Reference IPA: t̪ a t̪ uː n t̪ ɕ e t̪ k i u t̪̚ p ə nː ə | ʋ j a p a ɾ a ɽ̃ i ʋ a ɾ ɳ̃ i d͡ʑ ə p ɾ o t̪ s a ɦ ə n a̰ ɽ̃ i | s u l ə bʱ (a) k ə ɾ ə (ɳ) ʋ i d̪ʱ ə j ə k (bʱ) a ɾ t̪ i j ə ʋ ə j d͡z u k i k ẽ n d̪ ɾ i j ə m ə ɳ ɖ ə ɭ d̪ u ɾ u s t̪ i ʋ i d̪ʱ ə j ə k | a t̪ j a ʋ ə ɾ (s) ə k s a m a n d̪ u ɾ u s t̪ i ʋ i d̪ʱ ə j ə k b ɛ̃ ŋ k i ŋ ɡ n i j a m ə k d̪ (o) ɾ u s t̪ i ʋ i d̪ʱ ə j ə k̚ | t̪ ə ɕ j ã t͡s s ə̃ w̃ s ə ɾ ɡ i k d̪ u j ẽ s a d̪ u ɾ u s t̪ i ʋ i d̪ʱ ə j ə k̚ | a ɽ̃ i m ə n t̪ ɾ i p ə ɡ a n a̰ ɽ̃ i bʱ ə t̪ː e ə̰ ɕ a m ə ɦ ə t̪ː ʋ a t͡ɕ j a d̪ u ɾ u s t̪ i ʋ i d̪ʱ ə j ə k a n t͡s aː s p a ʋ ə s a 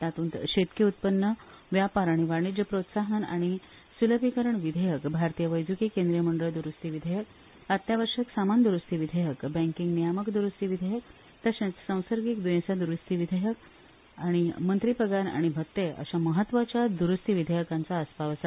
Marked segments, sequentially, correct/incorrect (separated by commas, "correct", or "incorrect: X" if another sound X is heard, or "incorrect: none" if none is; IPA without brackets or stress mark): incorrect: i, correct, correct, incorrect: ʂ, incorrect: u